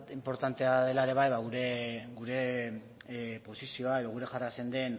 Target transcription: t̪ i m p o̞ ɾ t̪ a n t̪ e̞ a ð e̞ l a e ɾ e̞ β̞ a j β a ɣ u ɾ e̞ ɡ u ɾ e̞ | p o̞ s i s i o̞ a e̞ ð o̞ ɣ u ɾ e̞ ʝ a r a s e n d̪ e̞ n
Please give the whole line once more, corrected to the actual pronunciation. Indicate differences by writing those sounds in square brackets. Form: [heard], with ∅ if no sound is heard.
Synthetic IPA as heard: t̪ i m p o̞ ɾ t̪ a n t̪ e̞ a ð e̞ l a e ɾ e̞ β̞ a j β a ɣ u ɾ e̞ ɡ u ɾ e̞ | p o̞ s i s i o̞ a e̞ ð o̞ ɣ u ɾ e̞ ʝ a r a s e n d̪ e̞ n